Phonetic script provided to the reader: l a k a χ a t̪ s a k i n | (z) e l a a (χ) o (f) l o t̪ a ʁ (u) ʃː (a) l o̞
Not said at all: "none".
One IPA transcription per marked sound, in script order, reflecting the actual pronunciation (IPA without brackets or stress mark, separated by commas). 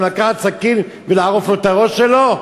v, ʁ, f, o, e